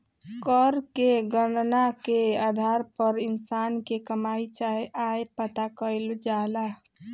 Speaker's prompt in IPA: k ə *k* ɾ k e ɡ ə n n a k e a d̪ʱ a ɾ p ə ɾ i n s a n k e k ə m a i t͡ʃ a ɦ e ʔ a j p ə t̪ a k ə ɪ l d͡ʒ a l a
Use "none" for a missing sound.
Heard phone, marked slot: none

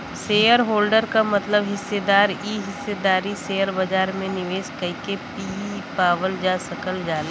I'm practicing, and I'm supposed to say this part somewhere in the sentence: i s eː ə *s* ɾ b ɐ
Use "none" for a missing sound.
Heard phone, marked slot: none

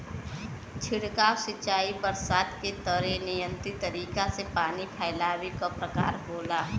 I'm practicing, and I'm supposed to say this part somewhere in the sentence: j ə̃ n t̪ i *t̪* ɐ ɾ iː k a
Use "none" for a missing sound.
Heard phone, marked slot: t̪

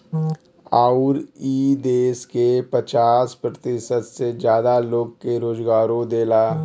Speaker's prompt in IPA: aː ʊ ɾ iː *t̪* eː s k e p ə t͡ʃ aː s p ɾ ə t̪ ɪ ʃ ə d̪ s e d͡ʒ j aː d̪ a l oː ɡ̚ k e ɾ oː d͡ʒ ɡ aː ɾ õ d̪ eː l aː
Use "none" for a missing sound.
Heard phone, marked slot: d̪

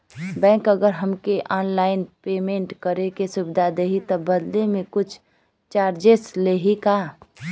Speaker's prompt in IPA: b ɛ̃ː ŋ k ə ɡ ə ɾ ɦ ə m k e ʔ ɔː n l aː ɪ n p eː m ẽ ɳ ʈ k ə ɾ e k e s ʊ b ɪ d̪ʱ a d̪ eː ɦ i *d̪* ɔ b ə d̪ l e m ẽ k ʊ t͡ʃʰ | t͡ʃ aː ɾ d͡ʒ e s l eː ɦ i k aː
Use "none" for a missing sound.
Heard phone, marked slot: t̪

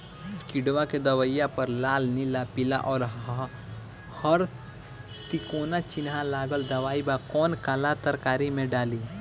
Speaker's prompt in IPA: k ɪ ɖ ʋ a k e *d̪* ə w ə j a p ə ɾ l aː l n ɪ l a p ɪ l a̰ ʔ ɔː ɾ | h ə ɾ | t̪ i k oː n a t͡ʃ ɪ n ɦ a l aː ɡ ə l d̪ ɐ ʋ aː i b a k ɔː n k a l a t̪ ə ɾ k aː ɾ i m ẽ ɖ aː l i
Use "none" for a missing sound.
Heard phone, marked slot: d̪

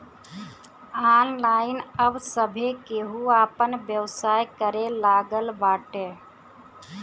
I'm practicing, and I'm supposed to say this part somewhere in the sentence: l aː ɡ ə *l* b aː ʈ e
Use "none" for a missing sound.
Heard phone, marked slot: l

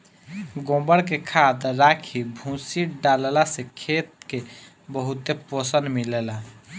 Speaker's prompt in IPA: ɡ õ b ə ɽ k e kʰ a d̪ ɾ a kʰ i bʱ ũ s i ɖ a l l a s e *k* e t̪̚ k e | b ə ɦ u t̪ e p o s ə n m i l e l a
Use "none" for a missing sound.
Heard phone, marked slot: kʰ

